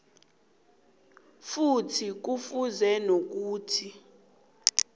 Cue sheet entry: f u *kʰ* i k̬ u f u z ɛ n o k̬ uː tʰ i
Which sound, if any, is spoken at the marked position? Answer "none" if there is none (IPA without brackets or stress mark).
tʰ